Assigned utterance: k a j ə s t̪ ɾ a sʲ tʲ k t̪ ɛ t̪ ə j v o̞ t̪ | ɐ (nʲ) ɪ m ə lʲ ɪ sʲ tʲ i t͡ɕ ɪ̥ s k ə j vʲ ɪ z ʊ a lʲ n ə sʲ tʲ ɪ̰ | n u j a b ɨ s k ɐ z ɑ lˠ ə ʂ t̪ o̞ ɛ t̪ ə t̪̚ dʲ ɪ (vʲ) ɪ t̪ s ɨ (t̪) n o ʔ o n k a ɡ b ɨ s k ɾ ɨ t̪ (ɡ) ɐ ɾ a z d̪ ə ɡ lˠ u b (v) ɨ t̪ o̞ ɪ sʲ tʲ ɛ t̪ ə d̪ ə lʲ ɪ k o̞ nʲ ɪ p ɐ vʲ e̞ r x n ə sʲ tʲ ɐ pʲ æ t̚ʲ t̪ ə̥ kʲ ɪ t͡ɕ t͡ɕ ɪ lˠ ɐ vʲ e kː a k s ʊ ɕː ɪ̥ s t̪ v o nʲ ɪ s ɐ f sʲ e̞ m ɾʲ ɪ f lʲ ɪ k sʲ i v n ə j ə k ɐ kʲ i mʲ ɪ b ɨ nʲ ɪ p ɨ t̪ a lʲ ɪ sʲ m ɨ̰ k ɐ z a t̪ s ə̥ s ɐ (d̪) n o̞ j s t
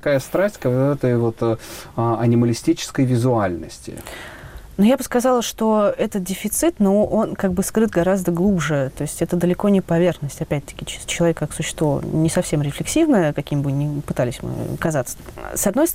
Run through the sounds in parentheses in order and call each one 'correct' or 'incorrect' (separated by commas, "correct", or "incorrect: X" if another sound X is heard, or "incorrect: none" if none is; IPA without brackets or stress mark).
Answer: correct, incorrect: fʲ, correct, correct, incorrect: ʐ, correct